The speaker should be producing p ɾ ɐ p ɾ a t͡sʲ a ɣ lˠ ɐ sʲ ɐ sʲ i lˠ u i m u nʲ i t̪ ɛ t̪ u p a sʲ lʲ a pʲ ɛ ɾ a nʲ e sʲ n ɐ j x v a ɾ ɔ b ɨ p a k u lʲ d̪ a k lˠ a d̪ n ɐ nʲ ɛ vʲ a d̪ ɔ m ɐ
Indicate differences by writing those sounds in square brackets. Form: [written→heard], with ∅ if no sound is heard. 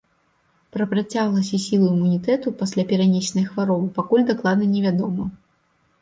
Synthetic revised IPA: p ɾ ɐ p ɾ a t͡sʲ a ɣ lˠ ɐ sʲ ɐ sʲ i lˠ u i m u nʲ i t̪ ɛ t̪ u p a sʲ lʲ a pʲ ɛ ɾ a nʲ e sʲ n ɐ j x v a ɾ ɔ b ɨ p a k u lʲ d̪ a k lˠ a d̪ n ɐ nʲ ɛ vʲ a d̪ ɔ m ɐ